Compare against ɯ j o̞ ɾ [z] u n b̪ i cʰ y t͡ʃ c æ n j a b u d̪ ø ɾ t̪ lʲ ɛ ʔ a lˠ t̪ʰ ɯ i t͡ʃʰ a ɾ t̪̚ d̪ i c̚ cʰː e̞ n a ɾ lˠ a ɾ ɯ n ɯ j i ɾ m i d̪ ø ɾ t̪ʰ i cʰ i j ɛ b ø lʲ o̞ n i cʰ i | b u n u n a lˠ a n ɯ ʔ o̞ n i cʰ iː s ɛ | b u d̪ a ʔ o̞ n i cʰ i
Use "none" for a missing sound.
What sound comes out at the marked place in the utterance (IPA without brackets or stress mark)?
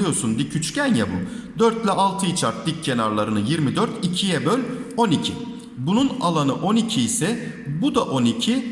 s